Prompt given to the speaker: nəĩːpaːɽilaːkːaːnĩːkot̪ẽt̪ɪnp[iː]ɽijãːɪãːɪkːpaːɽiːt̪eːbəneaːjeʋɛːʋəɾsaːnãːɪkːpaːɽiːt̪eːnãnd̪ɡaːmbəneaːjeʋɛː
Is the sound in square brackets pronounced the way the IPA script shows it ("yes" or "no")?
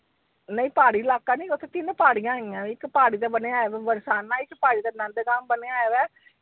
no